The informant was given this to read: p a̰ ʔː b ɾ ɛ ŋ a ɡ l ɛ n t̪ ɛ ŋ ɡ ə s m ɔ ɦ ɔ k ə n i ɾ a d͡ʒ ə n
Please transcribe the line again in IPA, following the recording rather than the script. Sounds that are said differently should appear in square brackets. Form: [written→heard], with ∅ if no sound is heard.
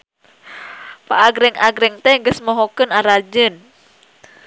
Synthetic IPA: p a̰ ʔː [b→ɡ] ɾ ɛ ŋ a ɡ [l→ɾ] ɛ [n→ŋ] t̪ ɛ ŋ ɡ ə s m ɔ ɦ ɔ k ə n [i→a] ɾ a d͡ʒ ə n